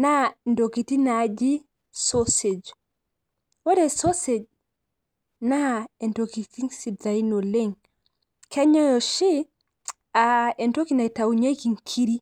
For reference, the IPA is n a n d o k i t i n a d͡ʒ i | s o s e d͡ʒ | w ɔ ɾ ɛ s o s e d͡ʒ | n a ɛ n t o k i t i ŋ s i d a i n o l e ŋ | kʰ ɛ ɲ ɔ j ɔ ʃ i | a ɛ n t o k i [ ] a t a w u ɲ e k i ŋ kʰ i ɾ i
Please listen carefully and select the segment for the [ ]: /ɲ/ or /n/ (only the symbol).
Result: n